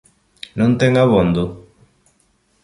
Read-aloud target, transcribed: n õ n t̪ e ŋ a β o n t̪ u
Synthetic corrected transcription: n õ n t̪ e ŋ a β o n d̪ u